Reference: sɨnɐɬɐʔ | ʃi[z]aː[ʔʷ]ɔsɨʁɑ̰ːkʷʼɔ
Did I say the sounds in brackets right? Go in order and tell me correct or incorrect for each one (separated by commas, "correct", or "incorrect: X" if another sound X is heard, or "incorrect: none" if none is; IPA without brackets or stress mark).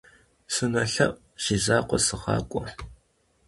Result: correct, incorrect: qʷ